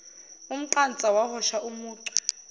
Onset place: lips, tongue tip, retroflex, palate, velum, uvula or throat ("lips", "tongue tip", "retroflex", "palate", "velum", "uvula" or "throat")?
lips